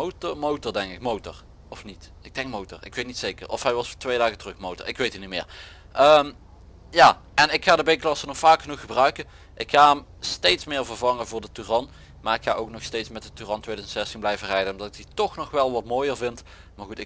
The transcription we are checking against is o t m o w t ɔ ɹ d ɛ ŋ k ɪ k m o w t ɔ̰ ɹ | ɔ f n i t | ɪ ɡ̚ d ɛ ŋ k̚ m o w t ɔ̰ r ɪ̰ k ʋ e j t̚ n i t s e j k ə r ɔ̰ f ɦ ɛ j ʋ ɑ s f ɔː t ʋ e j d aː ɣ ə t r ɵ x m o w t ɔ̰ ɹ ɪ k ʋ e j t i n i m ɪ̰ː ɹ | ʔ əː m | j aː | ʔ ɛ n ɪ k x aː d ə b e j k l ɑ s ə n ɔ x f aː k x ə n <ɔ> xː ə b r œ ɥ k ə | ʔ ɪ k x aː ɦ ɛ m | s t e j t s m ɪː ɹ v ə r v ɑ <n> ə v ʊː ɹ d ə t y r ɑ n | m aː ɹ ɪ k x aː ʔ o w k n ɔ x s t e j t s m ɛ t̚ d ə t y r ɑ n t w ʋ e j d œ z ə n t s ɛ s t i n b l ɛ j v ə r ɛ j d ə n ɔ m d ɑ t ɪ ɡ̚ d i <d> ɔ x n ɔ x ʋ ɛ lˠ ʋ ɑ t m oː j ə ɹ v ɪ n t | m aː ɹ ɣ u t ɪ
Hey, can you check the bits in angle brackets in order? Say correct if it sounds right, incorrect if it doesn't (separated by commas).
incorrect, incorrect, incorrect